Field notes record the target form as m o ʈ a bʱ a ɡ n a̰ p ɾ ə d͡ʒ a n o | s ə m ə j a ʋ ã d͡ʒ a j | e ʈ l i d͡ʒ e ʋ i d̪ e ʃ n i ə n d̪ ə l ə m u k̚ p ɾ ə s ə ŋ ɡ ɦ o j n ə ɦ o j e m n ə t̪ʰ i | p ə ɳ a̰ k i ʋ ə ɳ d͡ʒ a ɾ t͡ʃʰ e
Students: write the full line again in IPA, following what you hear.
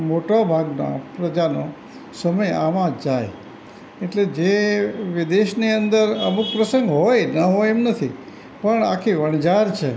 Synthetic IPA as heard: m o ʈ a bʱ a ɡ n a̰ p ɾ ə d͡ʒ a n o | s ə m ə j a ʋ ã d͡ʒ a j | e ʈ l e d͡ʒ e ʋ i d̪ e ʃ n i ə n d̪ ə ɾ ə m u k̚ p ɾ ə s ə ŋ ɡ ɦ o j n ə ɦ o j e m n ə t̪ʰ i | p ə ɳ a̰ kʰ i ʋ ə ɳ d͡ʒ a ɾ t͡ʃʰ e